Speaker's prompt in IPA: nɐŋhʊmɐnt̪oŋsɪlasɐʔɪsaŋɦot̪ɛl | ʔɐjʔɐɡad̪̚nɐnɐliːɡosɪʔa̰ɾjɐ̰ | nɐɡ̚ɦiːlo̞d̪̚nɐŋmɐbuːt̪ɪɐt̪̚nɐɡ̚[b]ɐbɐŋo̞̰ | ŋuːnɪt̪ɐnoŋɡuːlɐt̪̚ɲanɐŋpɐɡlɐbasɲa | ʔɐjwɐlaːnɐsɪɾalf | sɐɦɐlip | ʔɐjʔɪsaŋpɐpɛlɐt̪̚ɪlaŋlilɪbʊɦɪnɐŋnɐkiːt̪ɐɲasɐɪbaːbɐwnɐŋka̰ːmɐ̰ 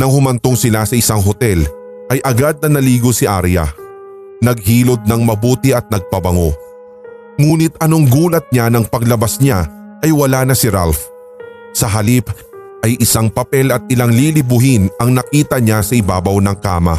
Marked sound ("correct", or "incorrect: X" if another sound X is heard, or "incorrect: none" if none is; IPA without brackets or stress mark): incorrect: p